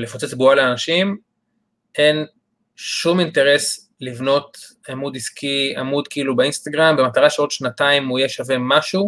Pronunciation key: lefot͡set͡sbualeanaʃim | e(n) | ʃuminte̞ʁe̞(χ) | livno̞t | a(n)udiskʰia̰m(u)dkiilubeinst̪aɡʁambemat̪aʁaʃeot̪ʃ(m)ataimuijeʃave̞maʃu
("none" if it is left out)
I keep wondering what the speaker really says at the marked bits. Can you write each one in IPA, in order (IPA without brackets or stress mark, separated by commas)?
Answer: n, s, m, u, n